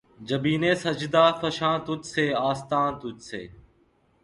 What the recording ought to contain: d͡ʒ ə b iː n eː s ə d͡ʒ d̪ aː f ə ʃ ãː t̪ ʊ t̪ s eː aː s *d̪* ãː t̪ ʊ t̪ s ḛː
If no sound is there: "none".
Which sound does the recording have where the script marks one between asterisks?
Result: t̪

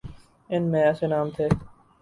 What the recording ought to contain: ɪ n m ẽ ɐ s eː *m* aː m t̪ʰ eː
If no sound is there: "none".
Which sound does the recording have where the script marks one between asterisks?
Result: n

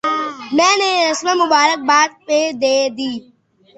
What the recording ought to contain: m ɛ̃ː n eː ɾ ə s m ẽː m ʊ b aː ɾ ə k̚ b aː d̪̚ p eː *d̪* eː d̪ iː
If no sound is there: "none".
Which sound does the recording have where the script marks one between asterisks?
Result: d̪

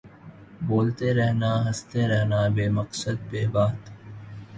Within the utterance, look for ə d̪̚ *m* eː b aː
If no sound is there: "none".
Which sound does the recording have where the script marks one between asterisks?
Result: b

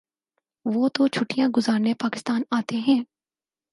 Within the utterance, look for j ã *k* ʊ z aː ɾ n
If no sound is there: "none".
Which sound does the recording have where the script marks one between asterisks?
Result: ɡ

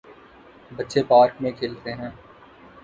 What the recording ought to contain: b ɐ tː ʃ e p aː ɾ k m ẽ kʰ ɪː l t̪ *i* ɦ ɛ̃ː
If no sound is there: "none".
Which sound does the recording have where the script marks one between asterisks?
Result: e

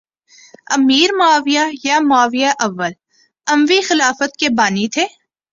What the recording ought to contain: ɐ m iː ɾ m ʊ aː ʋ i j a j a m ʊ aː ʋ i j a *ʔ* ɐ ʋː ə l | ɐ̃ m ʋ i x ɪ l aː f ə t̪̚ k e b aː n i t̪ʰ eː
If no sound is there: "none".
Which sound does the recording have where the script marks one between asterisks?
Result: ʔ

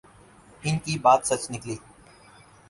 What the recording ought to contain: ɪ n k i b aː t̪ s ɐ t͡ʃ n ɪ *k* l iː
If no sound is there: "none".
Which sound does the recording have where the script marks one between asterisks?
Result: k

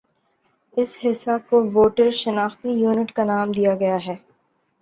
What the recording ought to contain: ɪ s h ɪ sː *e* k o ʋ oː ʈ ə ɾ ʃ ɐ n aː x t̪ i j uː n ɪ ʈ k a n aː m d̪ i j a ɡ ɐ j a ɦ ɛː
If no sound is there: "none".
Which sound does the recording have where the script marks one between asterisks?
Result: a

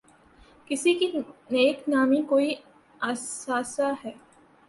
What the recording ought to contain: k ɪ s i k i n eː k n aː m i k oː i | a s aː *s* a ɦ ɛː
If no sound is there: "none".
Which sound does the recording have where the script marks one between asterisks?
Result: s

